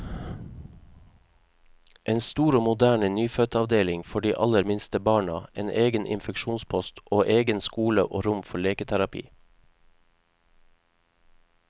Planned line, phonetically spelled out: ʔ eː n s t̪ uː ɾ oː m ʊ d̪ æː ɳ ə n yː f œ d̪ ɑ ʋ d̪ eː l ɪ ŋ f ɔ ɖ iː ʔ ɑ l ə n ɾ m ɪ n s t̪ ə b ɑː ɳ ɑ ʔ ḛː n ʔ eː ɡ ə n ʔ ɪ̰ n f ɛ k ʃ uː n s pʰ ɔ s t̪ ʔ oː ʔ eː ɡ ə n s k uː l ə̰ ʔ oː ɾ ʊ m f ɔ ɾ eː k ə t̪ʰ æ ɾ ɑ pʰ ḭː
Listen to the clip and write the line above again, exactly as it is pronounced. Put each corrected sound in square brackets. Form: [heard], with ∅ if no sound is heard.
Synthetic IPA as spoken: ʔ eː n s t̪ uː ɾ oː m ʊ d̪ æː ɳ ə n yː f œ [t̪] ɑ ʋ d̪ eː l ɪ ŋ f ɔ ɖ iː ʔ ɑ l ə [∅] ɾ m ɪ n s t̪ ə b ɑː ɳ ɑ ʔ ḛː n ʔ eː ɡ ə n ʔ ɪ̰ n f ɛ k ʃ uː n s pʰ ɔ s t̪ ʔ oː ʔ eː ɡ ə n s k uː l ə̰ ʔ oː ɾ ʊ m f ɔ [ɭ] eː k ə t̪ʰ æ ɾ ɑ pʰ ḭː

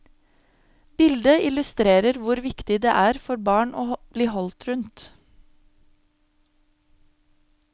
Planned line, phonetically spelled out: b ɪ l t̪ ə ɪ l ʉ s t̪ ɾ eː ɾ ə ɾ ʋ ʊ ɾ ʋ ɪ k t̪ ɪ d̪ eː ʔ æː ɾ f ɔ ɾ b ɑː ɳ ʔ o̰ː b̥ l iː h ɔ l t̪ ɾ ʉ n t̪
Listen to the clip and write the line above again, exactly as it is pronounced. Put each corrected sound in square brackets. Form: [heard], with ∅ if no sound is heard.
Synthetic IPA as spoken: b ɪ l [d̪] ə ɪ l ʉ s t̪ ɾ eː ɾ ə ɾ ʋ ʊ ɾ ʋ ɪ k t̪ ɪ d̪ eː ʔ æː ɾ f ɔ ɾ b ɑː ɳ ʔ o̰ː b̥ l iː h ɔ l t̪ ɾ ʉ n t̪

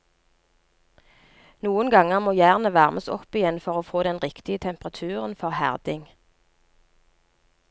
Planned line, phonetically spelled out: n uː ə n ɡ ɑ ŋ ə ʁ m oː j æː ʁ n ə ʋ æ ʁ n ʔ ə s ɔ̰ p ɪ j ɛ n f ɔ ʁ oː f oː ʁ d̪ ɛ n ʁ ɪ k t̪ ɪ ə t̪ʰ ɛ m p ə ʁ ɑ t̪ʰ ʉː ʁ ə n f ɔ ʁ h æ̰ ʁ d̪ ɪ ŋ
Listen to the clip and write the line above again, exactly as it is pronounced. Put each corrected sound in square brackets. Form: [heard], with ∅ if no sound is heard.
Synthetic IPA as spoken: n uː ə n ɡ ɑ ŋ ə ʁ m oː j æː ʁ n ə ʋ æ ʁ [m] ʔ ə s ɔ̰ p ɪ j ɛ n f ɔ ʁ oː f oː [∅] d̪ ɛ n ʁ ɪ k t̪ ɪ ə t̪ʰ ɛ m p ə ʁ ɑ t̪ʰ ʉː ʁ ə n f ɔ ʁ h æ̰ ʁ d̪ ɪ ŋ

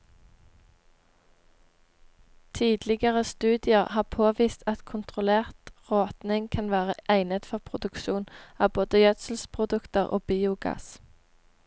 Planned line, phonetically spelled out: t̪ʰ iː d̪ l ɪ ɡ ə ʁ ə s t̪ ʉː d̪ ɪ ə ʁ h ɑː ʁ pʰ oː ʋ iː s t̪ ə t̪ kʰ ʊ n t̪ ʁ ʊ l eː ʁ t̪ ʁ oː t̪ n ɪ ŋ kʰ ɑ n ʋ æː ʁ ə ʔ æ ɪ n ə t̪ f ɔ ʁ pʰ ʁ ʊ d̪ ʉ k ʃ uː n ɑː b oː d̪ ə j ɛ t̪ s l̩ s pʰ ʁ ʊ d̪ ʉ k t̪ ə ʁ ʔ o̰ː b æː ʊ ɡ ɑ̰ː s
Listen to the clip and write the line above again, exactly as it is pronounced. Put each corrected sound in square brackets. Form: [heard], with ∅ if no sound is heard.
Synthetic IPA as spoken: t̪ʰ iː d̪ l ɪ ɡ ə ʁ ə s t̪ ʉː d̪ ɪ ə ʁ h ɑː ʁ pʰ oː ʋ iː s t̪ [ɑ] t̪ kʰ ʊ n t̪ ʁ ʊ l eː ʁ t̪ ʁ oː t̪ n ɪ ŋ kʰ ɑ n ʋ æː ʁ ə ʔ æ ɪ n ə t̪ f ɔ ʁ pʰ ʁ ʊ d̪ ʉ k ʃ uː n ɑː b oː d̪ ə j [œ] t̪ s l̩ s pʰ ʁ ʊ d̪ ʉ k t̪ ə ʁ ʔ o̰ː b [iː] ʊ ɡ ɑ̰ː s

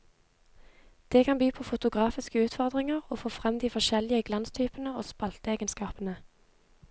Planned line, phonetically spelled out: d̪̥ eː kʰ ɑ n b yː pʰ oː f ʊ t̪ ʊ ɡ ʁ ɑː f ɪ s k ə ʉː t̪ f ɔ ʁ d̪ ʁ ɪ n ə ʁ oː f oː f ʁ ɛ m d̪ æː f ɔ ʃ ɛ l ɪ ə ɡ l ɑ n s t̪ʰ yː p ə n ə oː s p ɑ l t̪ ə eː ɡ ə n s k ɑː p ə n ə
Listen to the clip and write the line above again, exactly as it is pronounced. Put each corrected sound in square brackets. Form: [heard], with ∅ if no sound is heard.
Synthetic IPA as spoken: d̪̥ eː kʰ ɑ n b yː pʰ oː f ʊ t̪ ʊ ɡ ʁ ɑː f ɪ s k ə ʉː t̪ f ɔ ʁ d̪ ʁ ɪ [ŋ] ə ʁ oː f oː f ʁ ɛ m d̪ [iː] f ɔ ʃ ɛ l ɪ ə ɡ l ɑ n s t̪ʰ yː p ə n ə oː s p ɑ l t̪ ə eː ɡ ə n s k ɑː p ə n ə

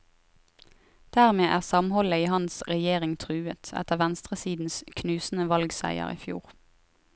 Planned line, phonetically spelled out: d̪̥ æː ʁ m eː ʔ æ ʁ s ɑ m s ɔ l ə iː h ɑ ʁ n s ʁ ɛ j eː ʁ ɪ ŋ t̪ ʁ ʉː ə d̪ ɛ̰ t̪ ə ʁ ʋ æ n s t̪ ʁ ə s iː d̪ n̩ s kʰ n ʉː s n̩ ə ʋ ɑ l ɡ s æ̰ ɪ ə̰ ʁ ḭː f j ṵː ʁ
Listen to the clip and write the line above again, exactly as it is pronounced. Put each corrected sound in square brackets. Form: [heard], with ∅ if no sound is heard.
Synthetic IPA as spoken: d̪̥ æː ʁ m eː ʔ [æː] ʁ s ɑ m [h] ɔ l ə iː h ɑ [∅] n s ʁ ɛ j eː ʁ ɪ ŋ [t̪ʰ] ʁ ʉː ə [t̪] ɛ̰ t̪ ə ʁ ʋ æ n s t̪ ʁ ə s iː d̪ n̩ s kʰ n ʉː s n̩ ə ʋ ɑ l ɡ s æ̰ ɪ ə̰ ʁ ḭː f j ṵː ʁ

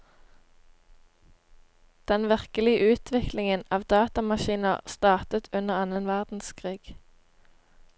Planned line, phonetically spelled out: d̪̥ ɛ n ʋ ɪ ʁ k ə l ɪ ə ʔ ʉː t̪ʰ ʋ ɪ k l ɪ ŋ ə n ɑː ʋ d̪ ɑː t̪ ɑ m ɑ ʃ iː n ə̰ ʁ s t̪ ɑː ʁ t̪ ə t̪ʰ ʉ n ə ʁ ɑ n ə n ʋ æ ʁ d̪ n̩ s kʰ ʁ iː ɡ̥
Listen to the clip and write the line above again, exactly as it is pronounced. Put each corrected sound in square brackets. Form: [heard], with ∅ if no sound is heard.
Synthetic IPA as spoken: d̪̥ ɛ n ʋ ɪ ʁ k ə l ɪ ə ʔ ʉː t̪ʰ ʋ ɪ k l ɪ ŋ ə n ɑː ʋ d̪ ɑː t̪ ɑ m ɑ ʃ iː n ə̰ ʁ s t̪ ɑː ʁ t̪ ə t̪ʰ ʉ n ə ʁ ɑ n ə n ʋ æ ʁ d̪ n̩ s kʰ ʁ iː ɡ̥

